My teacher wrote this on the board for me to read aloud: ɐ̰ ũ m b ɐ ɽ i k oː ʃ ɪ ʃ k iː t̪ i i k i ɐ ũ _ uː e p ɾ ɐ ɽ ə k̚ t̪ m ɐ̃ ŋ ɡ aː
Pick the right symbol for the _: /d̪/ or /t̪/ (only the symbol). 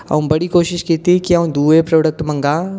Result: d̪